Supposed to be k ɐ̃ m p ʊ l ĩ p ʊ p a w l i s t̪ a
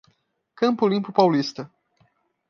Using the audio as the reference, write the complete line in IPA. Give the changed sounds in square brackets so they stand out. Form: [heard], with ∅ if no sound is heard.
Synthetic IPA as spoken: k ɐ̃ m p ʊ l ĩ p ʊ p a w l i s t̪ [ɐ]